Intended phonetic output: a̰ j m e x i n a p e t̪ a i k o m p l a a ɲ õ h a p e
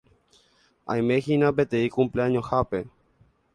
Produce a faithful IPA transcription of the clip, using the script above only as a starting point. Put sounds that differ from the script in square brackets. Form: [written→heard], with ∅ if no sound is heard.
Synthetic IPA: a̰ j m e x i n a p e t̪ [a→e] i k [o→u] m p l [a→e] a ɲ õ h a p e